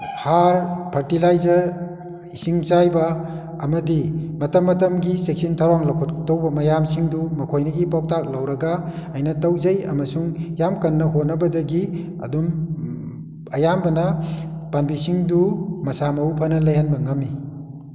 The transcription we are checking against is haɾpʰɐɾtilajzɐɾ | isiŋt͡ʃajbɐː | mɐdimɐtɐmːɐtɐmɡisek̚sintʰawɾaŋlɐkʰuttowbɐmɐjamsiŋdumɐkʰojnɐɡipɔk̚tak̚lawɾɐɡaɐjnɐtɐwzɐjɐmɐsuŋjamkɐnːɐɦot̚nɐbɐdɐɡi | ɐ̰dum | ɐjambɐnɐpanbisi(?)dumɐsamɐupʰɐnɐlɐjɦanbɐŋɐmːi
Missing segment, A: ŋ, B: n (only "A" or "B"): A